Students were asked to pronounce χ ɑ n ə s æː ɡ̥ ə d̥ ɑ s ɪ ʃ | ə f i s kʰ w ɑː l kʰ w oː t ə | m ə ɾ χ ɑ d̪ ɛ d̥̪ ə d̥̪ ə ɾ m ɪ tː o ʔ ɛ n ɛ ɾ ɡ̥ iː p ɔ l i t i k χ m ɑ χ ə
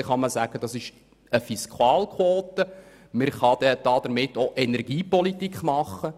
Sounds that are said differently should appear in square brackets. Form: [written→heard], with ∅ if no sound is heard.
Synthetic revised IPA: χ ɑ [n→m] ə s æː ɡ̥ ə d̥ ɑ s ɪ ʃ | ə f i s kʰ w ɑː l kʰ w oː t ə | m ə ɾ χ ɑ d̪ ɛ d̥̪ [ə→ɑ] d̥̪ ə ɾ m ɪ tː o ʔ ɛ n ɛ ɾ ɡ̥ iː p ɔ l i t i k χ m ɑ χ ə